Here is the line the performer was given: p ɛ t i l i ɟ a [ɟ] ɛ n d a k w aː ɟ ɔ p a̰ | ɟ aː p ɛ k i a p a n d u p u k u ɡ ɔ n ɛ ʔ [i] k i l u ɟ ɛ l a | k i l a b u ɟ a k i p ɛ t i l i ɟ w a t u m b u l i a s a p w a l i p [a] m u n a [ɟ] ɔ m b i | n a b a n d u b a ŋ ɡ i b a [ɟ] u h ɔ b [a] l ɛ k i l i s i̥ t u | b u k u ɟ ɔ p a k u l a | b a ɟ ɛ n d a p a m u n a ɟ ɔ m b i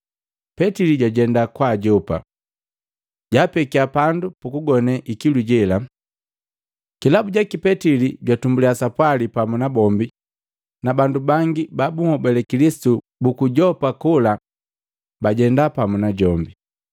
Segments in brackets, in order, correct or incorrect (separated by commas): correct, correct, correct, incorrect, incorrect, incorrect